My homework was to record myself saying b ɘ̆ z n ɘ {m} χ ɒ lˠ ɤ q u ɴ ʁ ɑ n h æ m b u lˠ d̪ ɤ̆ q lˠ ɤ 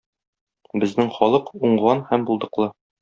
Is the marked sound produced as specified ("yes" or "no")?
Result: no